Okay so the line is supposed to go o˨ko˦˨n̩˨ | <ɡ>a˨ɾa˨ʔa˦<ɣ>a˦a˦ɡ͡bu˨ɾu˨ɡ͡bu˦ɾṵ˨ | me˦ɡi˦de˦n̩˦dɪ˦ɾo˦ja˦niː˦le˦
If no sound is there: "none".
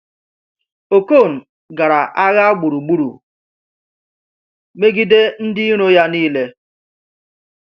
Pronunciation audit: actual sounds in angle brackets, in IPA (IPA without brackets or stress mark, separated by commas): ɡ, ɣ